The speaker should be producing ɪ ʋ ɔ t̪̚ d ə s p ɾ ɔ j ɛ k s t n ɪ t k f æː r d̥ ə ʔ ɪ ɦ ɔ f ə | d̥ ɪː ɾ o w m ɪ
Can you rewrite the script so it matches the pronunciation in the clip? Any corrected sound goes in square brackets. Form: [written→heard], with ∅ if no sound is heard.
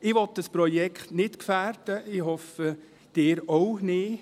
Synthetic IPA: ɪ ʋ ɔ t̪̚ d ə s p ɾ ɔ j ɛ k [s→χ] t n ɪ t k f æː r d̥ ə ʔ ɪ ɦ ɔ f ə | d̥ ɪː ɾ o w [m→n] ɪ